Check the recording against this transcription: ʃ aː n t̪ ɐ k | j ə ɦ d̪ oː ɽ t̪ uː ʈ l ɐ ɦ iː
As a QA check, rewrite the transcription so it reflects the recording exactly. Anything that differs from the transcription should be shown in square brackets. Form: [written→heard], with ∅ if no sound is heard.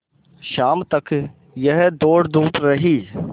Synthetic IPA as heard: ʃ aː [n→m] t̪ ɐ k | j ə ɦ d̪ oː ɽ [t̪→d̪] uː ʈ [l→ɾ] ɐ ɦ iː